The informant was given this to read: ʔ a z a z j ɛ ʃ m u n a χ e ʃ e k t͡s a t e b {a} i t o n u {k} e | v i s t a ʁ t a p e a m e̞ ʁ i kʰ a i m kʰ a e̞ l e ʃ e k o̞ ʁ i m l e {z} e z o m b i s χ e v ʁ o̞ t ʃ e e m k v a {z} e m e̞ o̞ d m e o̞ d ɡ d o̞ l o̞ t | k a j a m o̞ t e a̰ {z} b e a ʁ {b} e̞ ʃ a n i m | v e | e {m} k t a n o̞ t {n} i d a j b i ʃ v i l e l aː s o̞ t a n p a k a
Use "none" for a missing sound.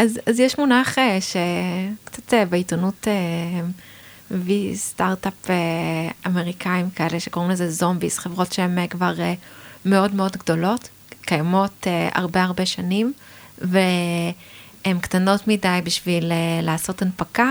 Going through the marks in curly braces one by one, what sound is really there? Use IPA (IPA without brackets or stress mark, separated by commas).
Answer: e, t, z, ʁ, ʁ, b, m, m